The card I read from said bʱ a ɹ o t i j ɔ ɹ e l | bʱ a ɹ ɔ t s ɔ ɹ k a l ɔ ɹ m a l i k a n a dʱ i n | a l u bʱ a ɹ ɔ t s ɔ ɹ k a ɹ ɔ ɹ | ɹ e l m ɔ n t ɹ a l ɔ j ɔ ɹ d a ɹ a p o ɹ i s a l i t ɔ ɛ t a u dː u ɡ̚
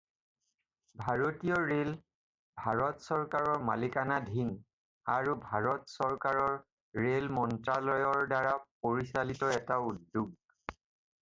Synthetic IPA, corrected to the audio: bʱ a ɹ o t i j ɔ ɹ e l | bʱ a ɹ ɔ t s ɔ ɹ k a ɹ ɔ ɹ m a l i k a n a dʱ i n | a ɹ u bʱ a ɹ ɔ t s ɔ ɹ k a ɹ ɔ ɹ | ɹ e l m ɔ n t ɹ a l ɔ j ɔ ɹ d a ɹ a p o ɹ i s a l i t ɔ ɛ t a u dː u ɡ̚

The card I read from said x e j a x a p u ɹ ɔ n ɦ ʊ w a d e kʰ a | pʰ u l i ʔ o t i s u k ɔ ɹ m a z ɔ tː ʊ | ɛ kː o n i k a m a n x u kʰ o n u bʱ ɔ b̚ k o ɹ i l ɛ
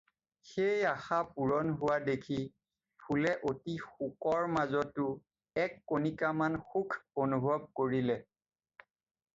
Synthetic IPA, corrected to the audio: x e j a x a p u ɹ ɔ n ɦ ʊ w a d e kʰ i | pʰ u l ɛ ʔ o t i x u k ɔ ɹ m a z ɔ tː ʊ | ɛ kː o n i k a m a n x u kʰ o n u bʱ ɔ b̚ k o ɹ i l ɛ

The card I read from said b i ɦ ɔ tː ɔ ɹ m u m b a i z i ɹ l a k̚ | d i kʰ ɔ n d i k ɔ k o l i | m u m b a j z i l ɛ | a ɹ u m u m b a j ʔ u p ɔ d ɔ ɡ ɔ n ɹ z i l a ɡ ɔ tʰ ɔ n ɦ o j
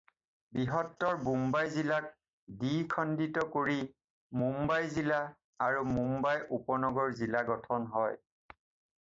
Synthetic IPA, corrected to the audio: b i ɦ ɔ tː ɔ ɹ b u m b a j z i l a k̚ | d i kʰ ɔ n d i t ɔ k o ɹ i | m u m b a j z i l a | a ɹ u m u m b a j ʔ u p ɔ n ɔ ɡ ɔ ɹ z i l a ɡ ɔ tʰ ɔ n ɦ ɔ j

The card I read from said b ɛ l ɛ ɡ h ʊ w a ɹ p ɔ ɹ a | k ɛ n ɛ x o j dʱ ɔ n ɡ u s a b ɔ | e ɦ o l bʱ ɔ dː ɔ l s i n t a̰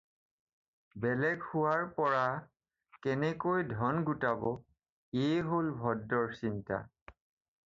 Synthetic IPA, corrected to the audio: b ɛ l ɛ ɡ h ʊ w a ɹ p ɔ ɹ a | k ɛ n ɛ k o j dʱ ɔ n ɡ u t a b ɔ | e ɦ o l bʱ ɔ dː ɔ ɹ s i n t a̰

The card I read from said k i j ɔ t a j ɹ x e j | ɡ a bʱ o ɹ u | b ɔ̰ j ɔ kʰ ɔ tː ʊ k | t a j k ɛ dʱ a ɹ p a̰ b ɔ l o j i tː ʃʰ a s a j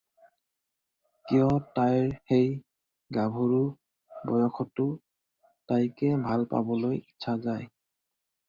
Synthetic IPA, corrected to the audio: k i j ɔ t a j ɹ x e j | ɡ a bʱ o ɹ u | b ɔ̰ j ɔ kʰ ɔ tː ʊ | t a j k ɛ bʱ a l p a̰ b ɔ l o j i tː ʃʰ a z a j

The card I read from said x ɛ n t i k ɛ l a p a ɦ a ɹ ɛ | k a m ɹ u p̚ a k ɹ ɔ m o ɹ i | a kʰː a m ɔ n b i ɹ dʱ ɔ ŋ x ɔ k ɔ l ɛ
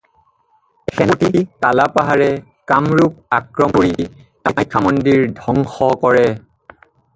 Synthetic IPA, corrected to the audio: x ɛ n t i k a l a p a ɦ a ɹ ɛ | k a m ɹ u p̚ a k ɹ ɔ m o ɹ i | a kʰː a m ɔ n d i ɹ dʱ ɔ ŋ x ɔ k ɔ ɹ ɛ

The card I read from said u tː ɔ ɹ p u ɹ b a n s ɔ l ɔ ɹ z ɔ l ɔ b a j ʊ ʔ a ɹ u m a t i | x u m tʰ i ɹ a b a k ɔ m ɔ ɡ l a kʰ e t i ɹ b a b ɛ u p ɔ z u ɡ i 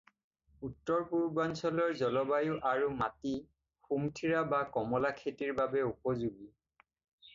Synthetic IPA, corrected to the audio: u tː ɔ ɹ p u ɹ b a n s ɔ l ɔ ɹ z ɔ l ɔ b a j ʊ ʔ a ɹ u m a t i | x u m tʰ i ɹ a b a k ɔ m ɔ l a kʰ e t i ɹ b a b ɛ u p ɔ z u ɡ i

